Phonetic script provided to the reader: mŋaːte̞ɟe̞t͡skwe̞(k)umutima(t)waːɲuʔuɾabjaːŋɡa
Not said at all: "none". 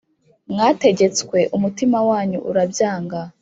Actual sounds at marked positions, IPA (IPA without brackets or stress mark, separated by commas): ʔ, none